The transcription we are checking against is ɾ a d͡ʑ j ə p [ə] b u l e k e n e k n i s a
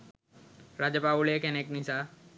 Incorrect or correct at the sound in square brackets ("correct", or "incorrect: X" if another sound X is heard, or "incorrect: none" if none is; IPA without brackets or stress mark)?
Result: incorrect: a